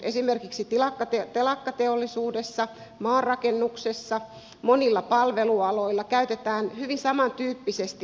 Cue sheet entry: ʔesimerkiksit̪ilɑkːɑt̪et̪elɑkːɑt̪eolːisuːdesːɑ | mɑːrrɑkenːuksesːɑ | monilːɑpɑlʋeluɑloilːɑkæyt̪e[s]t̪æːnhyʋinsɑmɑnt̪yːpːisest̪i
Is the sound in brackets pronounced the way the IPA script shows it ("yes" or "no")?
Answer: no